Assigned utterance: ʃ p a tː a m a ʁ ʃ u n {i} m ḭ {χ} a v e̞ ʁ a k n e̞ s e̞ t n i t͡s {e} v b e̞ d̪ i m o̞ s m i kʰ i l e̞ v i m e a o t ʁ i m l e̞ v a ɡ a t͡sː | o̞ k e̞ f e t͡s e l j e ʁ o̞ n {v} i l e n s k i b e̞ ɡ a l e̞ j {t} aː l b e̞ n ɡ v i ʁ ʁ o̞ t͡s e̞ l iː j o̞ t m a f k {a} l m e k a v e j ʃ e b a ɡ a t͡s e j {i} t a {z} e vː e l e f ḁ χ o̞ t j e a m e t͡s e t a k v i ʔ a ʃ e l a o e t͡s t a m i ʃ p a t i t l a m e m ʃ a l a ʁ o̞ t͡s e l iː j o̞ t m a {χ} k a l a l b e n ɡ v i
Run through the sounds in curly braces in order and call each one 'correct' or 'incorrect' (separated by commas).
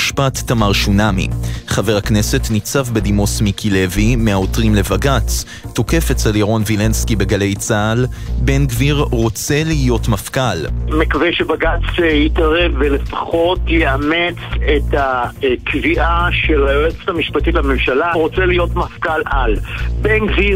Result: incorrect, correct, incorrect, correct, incorrect, correct, correct, incorrect, incorrect